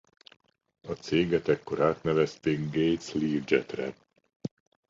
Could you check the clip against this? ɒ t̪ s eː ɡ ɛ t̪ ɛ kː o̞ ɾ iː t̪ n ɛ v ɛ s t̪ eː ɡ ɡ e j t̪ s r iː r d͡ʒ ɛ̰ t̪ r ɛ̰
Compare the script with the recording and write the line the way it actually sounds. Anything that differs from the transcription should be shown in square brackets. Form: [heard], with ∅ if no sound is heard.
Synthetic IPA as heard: ɒ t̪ s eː ɡ ɛ t̪ ɛ kː o̞ ɾ [aː] t̪ n ɛ v ɛ s t̪ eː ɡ ɡ e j t̪ s [l] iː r d͡ʒ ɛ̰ t̪ r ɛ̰